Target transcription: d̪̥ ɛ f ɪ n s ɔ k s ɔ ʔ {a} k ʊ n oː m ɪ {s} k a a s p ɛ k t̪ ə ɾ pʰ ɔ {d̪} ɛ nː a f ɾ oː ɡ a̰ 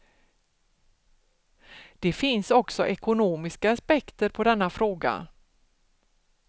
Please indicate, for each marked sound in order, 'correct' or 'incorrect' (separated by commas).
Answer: incorrect, correct, correct